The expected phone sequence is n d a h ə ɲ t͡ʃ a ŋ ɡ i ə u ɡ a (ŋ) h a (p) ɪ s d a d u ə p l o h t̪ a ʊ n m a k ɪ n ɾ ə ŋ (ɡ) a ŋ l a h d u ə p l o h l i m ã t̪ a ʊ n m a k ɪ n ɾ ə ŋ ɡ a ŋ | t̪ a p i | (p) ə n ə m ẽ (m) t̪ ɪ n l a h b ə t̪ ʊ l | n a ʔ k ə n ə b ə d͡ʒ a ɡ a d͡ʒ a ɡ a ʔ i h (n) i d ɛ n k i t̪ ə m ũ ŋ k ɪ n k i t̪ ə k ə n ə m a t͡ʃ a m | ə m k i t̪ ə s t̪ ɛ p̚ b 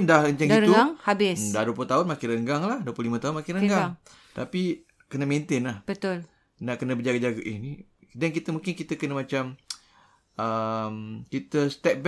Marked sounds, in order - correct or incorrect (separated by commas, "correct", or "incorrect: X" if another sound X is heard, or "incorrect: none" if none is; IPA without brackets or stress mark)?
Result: correct, incorrect: b, correct, incorrect: k, incorrect: n, correct